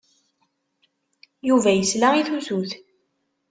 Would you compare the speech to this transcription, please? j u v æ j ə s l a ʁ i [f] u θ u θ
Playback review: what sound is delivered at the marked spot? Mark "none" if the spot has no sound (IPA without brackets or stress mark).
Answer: θ